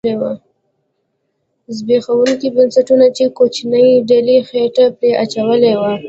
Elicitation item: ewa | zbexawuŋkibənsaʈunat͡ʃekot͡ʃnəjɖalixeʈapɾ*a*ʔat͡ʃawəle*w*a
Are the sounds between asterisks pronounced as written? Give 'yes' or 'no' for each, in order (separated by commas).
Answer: no, yes